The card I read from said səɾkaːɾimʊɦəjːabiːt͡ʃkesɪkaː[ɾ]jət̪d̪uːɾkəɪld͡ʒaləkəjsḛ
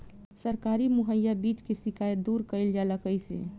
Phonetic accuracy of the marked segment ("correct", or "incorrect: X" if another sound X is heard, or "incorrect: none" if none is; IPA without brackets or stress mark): incorrect: none